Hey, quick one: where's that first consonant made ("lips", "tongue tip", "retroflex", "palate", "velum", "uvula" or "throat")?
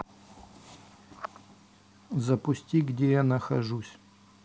tongue tip